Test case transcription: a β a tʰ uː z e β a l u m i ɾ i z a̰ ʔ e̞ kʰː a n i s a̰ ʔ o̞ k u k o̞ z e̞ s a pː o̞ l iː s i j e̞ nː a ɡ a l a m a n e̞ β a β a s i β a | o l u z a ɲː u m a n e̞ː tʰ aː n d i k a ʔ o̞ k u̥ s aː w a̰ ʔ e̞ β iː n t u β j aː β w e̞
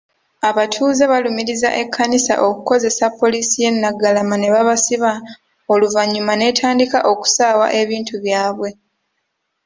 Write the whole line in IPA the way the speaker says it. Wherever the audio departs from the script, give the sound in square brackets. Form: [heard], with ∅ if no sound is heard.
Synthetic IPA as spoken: a β a tʰ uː z e β a l u m i ɾ i z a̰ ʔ e̞ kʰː a n i s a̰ ʔ o̞ k u k o̞ z e̞ s a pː o̞ l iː s i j e̞ nː a ɡ a l a m a n e̞ β a β a s i β a | o l u [v] a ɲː u m a n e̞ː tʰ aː n d i k a ʔ o̞ k u̥ s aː w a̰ ʔ e̞ β iː n t u β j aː β w e̞